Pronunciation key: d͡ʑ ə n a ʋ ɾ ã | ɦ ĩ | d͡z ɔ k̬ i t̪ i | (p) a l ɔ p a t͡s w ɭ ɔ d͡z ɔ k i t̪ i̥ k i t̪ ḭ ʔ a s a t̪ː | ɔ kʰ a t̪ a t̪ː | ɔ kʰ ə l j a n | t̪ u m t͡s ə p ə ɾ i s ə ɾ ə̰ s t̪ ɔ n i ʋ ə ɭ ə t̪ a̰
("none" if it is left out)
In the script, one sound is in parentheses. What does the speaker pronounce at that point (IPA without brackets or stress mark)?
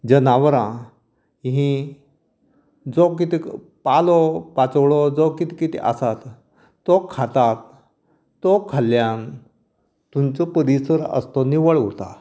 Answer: p